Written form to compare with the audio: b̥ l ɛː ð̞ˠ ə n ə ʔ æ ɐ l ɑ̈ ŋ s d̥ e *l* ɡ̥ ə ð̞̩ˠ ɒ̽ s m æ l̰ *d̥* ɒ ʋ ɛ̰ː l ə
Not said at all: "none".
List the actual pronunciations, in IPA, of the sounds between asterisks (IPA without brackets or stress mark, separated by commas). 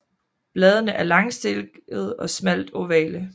l, d̥